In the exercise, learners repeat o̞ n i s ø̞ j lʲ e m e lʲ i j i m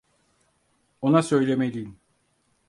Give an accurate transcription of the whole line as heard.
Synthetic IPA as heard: o̞ n a s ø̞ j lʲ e m e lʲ i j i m